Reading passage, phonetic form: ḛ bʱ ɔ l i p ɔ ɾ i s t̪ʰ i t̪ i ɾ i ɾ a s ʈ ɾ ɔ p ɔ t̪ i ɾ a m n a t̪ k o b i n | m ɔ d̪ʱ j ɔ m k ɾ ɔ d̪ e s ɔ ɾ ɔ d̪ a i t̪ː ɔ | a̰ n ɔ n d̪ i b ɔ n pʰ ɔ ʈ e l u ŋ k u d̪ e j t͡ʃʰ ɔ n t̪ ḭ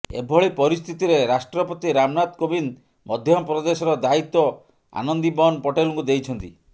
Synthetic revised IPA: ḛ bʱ ɔ ɭ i p ɔ ɾ i s t̪ʰ i t̪ i ɾ e ɾ a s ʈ ɾ ɔ p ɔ t̪ i ɾ a m n a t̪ k o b i n | m ɔ d̪ʱ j ɔ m p ɾ ɔ d̪ e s ɔ ɾ ɔ d̪ a i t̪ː ɔ | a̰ n ɔ n d̪ i b ɔ n p ɔ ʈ e l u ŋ k u d̪ e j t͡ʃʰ ɔ n t̪ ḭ